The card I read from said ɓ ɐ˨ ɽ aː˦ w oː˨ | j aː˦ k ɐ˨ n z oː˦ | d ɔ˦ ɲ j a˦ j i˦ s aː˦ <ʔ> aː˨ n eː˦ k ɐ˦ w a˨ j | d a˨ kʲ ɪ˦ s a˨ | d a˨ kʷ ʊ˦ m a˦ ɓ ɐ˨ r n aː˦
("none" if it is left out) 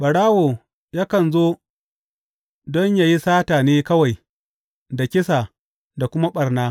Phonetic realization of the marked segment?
t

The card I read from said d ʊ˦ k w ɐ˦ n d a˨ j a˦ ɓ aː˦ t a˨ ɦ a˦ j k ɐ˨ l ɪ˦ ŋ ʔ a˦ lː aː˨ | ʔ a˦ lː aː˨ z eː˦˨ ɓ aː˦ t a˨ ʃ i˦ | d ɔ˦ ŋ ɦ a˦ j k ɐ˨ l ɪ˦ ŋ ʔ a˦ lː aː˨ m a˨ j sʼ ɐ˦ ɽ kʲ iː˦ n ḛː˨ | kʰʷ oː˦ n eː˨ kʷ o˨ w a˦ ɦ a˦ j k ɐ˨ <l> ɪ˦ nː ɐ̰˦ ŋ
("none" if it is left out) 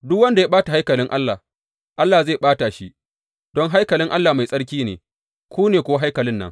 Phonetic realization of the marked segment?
l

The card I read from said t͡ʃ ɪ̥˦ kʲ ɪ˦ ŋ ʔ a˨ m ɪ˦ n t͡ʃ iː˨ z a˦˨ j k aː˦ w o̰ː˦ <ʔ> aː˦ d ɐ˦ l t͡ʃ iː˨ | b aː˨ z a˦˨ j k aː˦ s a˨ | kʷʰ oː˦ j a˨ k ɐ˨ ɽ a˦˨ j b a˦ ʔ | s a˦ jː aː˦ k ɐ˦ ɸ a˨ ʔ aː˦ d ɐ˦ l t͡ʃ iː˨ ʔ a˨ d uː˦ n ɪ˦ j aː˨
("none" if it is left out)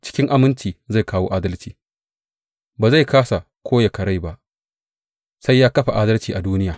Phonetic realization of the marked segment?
ʔ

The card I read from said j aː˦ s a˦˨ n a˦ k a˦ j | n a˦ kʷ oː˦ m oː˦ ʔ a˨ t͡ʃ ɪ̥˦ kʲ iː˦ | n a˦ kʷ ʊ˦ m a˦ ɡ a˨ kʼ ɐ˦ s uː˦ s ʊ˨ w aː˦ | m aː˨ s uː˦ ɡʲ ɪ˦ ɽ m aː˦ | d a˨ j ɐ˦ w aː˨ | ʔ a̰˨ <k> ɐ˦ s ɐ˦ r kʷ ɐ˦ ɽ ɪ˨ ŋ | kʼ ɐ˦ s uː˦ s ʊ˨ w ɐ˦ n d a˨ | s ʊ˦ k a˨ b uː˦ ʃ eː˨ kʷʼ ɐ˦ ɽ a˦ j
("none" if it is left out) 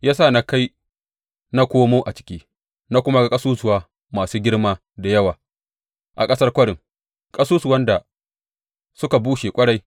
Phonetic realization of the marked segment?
kʼ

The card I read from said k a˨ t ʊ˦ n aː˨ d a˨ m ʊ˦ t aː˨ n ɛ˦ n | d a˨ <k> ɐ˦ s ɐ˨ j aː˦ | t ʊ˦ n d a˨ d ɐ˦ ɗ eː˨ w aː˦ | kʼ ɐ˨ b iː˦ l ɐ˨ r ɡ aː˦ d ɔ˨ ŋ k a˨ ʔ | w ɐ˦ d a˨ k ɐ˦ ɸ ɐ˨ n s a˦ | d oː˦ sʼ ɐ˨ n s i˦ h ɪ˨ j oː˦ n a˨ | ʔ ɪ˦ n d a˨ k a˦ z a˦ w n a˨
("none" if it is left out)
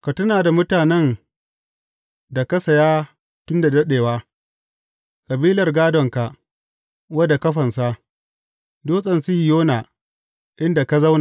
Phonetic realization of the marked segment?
k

